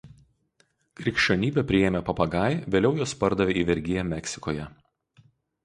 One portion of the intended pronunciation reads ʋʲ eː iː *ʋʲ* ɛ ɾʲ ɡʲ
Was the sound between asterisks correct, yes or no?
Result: yes